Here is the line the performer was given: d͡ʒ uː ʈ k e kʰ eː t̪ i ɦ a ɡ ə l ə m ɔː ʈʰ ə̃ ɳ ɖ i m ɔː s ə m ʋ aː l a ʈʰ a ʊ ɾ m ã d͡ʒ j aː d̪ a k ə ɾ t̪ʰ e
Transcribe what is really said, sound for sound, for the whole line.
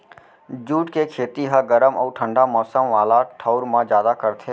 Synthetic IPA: d͡ʒ uː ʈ k e kʰ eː t̪ i ɦ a ɡ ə ɾ ə m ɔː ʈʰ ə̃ ɳ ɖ a m ɔː s ə m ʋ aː l a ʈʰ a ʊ ɾ m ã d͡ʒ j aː d̪ a k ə ɾ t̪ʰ e